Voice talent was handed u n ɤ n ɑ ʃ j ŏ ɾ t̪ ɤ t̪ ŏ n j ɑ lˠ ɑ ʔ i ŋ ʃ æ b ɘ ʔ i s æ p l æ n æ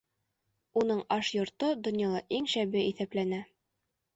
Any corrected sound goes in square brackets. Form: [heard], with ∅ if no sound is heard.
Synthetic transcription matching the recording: u n ɤ [ɴ] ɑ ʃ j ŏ ɾ t̪ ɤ [d̪] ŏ n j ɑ lˠ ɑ ʔ i ŋ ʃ æ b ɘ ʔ i [θ] æ p l æ n æ